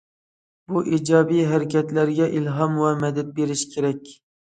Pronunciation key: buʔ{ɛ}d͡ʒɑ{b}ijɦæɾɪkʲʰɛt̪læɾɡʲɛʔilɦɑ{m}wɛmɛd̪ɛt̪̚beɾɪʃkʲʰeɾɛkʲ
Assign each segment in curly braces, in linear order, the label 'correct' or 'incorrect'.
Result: incorrect: i, correct, correct

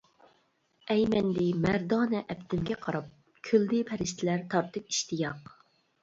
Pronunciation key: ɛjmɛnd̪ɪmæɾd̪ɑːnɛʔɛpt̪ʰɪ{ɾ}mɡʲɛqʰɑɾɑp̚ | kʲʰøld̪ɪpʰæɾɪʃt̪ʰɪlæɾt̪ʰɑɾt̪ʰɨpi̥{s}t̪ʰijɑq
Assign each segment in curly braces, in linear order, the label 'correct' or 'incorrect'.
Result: incorrect: none, incorrect: ʃ

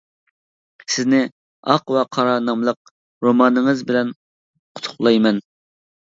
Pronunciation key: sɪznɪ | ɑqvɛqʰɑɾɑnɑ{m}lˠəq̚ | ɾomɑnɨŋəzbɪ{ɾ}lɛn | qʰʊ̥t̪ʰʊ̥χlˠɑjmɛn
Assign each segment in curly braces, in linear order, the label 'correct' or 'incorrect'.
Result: correct, incorrect: none

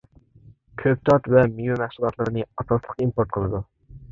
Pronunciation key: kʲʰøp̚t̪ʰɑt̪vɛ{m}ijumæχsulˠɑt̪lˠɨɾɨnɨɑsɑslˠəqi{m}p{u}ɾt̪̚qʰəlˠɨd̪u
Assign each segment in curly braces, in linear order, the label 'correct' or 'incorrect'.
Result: correct, correct, incorrect: o

